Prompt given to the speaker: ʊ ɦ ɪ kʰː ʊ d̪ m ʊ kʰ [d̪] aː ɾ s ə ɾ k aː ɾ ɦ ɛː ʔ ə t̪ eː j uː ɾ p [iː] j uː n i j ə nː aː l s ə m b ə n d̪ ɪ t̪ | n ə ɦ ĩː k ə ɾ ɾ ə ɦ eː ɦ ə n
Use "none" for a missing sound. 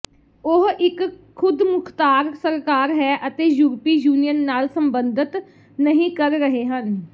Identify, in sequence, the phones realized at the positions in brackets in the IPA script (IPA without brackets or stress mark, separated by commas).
t̪, iː